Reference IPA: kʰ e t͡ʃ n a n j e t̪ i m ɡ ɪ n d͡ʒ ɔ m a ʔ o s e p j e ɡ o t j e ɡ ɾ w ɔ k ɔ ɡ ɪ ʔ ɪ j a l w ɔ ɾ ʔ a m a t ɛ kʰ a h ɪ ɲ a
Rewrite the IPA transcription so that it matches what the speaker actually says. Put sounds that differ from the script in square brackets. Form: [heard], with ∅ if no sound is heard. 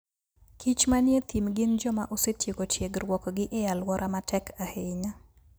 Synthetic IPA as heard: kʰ [i] t͡ʃ [m] a n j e t̪ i m ɡ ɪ n d͡ʒ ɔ m a ʔ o s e [t] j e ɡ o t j e ɡ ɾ w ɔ k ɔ ɡ ɪ ʔ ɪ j a l w ɔ ɾ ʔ a m a t ɛ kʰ a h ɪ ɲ a

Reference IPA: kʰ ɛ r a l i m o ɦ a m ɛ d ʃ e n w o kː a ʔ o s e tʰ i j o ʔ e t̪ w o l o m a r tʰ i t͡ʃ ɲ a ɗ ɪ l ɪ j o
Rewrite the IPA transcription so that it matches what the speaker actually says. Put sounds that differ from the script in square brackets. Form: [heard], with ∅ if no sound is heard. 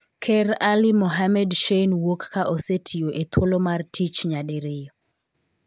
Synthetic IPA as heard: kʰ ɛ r a l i m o ɦ a m ɛ d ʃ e n w o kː a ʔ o s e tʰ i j o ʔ e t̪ w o l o m a r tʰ i t͡ʃ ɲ a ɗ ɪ [ɾ] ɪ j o

